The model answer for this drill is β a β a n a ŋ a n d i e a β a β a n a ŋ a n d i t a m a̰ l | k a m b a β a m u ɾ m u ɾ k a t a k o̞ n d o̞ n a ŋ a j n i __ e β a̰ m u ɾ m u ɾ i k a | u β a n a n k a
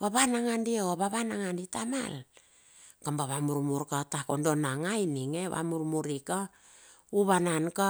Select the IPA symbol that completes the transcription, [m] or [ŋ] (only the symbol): ŋ